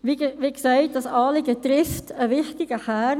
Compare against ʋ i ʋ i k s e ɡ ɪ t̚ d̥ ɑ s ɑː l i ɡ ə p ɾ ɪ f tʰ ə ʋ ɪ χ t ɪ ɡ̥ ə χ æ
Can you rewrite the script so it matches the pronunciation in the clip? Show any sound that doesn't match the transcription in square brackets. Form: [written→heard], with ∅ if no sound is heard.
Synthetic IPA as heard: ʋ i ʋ i k s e [ɡ→∅] ɪ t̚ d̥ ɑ s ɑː l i ɡ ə [p→t] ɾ ɪ f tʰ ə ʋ ɪ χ t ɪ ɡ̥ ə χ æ

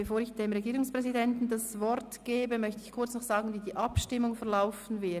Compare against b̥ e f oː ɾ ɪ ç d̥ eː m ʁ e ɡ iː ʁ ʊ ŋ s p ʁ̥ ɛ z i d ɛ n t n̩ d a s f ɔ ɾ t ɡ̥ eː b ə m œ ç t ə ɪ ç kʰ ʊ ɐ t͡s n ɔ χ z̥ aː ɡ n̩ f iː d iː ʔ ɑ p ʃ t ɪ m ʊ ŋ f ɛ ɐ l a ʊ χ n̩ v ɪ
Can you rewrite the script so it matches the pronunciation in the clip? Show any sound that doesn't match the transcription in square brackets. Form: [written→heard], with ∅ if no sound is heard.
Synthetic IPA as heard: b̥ e f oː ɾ ɪ ç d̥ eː m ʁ e ɡ iː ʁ ʊ ŋ s p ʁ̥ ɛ z i d ɛ n t n̩ d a s [f→v] ɔ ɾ t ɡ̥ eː b ə m œ ç t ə ɪ ç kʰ ʊ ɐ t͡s n ɔ χ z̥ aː ɡ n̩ [f→v] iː d iː ʔ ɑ p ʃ t ɪ m ʊ ŋ f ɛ ɐ l a ʊ [χ→f] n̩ v ɪ

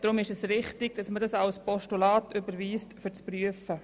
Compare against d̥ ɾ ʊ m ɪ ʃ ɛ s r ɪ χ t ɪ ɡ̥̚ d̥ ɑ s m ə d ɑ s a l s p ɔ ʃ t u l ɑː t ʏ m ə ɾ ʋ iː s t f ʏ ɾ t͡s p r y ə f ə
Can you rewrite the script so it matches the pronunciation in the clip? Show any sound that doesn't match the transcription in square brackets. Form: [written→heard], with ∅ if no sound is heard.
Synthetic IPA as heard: d̥ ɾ ʊ m ɪ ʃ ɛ s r ɪ χ t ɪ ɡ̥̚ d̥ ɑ s m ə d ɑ s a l s p ɔ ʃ t u l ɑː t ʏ [m→b] ə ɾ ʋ iː s t f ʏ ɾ t͡s p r y ə f ə

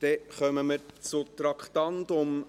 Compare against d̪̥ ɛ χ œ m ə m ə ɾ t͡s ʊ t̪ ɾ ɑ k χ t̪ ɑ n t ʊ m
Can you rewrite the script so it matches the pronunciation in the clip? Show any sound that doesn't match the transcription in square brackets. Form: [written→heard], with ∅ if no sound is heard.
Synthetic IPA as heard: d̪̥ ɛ χ œ m ə m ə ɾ t͡s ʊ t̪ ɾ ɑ k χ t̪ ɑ n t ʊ m

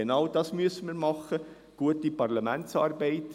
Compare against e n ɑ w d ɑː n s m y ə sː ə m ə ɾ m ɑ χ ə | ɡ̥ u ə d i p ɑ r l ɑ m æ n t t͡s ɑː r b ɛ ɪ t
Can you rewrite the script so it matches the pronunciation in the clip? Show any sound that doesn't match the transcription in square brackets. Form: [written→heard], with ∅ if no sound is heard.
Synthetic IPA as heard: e n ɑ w d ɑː [n→∅] s m y ə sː ə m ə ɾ m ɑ χ ə | ɡ̥ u ə [d→t] i p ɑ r l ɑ m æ n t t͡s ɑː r b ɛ ɪ t

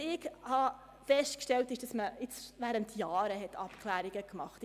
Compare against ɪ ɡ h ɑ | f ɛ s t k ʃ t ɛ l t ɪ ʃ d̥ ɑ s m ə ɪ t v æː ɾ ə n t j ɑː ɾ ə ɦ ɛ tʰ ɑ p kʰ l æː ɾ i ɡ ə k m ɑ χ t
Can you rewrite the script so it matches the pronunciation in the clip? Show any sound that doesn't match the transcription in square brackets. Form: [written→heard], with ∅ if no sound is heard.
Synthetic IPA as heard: ɪ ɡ h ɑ | f ɛ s t k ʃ t ɛ l t ɪ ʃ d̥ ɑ s m ə ɪ [t→t͡s] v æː ɾ ə n t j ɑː ɾ ə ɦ ɛ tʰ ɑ p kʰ l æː ɾ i ɡ ə k m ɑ χ t

